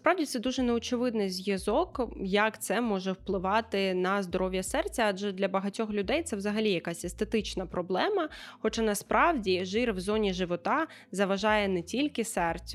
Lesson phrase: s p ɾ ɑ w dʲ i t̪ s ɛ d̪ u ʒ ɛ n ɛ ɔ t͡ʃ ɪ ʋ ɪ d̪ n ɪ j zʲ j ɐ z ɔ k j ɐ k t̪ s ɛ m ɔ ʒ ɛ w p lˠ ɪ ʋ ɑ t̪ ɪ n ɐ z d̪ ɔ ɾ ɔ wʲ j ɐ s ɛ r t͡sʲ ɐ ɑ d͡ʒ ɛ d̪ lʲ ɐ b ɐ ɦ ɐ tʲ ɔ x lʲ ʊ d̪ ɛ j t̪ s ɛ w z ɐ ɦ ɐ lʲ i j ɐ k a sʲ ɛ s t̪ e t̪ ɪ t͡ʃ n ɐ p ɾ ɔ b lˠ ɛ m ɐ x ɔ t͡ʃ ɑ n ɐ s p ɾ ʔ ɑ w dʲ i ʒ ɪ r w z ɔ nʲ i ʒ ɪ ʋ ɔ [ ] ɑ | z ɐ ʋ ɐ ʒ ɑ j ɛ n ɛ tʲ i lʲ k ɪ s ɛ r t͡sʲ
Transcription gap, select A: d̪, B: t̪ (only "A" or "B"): B